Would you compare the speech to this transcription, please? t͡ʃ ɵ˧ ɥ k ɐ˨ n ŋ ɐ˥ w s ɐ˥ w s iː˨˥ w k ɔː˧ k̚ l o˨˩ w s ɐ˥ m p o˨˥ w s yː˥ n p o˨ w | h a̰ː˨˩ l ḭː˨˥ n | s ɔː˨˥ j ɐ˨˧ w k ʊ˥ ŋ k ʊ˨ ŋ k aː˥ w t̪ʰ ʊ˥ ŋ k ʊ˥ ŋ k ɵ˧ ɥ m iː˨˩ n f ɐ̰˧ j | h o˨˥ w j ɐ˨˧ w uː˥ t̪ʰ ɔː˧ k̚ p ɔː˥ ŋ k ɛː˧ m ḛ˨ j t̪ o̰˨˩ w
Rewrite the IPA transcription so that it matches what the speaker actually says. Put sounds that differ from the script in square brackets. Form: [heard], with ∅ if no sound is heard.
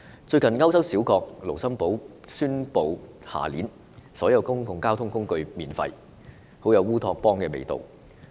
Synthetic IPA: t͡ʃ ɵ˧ ɥ k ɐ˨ n ŋ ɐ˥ w s ɐ˥ w s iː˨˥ w k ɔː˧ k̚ l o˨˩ w s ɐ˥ m p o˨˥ w s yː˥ n p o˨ w | h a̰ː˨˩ l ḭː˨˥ n | s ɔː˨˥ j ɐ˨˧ w k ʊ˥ ŋ k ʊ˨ ŋ k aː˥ w t̪ʰ ʊ˥ ŋ k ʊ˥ ŋ k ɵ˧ ɥ m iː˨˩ n f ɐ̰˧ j | h o˨˥ w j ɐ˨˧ w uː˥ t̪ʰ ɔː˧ k̚ p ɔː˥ ŋ k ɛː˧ m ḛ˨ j t̪ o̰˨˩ w